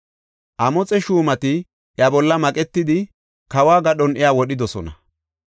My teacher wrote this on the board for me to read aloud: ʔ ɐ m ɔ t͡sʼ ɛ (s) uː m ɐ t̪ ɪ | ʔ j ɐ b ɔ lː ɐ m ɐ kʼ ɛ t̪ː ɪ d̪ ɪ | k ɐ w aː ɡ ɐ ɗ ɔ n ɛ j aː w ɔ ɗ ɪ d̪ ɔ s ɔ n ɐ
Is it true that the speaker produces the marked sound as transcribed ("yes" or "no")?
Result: no